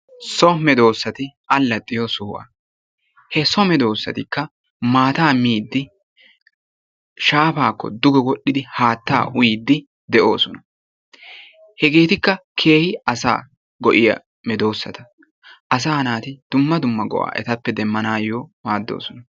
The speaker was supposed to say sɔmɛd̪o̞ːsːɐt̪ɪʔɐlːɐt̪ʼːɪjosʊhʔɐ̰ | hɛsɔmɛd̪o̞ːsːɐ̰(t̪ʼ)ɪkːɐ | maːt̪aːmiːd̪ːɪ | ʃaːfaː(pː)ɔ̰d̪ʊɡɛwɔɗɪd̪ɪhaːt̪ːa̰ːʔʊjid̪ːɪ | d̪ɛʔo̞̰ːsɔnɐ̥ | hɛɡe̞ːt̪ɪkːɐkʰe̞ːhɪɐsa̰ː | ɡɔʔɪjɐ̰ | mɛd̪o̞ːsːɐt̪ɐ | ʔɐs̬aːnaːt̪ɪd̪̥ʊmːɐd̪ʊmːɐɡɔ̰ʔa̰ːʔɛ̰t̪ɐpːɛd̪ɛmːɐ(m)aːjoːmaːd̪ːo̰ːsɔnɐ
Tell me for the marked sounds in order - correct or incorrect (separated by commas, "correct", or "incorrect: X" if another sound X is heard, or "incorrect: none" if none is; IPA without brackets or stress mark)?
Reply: incorrect: t̪, incorrect: kː, incorrect: n